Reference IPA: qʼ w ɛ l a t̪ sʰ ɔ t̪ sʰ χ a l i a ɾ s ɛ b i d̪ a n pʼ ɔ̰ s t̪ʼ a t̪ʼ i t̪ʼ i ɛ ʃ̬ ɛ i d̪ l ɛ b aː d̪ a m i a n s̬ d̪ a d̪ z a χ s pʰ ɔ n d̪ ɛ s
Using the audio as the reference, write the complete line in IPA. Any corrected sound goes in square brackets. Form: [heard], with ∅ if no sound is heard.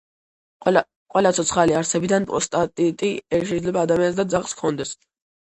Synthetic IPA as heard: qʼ w ɛ l a t̪ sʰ ɔ t̪ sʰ χ a l i a ɾ s ɛ b i d̪ a n pʼ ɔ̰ s t̪ʼ a t̪ʼ i t̪ʼ i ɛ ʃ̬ ɛ i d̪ l ɛ b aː d̪ a m i a n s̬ d̪ a d̪ z a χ s [kʰ] ɔ n d̪ ɛ s